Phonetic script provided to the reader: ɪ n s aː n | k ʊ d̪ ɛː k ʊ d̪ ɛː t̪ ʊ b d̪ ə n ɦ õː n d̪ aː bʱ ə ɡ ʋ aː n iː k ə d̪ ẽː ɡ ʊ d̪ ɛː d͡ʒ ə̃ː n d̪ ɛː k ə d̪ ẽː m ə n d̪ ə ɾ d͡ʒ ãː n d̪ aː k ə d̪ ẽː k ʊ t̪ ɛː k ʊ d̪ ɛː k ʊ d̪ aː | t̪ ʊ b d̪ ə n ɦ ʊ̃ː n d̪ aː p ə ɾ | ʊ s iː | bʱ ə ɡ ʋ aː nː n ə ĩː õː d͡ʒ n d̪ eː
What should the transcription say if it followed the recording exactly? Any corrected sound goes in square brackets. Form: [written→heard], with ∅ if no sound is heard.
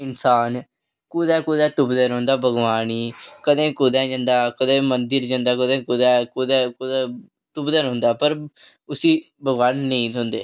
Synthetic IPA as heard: ɪ n s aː n | k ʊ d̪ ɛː k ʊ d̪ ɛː t̪ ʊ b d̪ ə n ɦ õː n d̪ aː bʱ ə ɡ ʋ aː n iː k ə d̪ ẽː [ɡ→k] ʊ d̪ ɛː d͡ʒ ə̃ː n d̪ [ɛː→aː] k ə d̪ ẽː m ə n d̪ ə ɾ d͡ʒ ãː n d̪ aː k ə d̪ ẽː k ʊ [t̪→d̪] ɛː k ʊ d̪ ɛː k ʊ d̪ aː | t̪ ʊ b d̪ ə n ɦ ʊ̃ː n d̪ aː p ə ɾ | ʊ s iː | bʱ ə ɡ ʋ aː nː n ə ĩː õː [d͡ʒ→∅] n d̪ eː